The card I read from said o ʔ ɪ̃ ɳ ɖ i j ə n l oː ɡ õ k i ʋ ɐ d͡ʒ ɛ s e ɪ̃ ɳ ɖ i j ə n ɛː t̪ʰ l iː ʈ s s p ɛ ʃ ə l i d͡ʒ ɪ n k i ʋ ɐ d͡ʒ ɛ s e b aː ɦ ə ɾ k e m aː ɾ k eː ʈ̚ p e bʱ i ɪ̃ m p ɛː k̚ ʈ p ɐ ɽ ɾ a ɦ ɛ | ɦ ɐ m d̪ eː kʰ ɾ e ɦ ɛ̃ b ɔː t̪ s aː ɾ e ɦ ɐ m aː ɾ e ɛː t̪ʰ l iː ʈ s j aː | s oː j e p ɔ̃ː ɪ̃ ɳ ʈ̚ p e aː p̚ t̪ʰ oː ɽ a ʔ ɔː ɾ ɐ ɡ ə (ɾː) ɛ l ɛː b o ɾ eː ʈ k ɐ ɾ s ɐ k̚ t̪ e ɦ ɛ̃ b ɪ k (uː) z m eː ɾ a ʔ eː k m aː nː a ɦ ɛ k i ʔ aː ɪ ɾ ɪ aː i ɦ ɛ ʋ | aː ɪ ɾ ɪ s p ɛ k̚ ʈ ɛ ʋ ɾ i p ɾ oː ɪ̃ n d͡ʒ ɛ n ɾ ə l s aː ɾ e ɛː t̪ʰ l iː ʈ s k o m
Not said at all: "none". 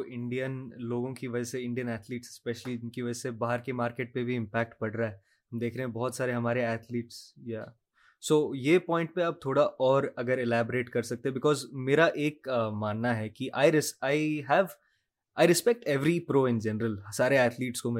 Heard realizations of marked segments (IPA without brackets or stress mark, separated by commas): ɾ, ɔː